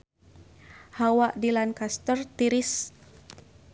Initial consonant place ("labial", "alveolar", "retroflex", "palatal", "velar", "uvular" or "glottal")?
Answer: glottal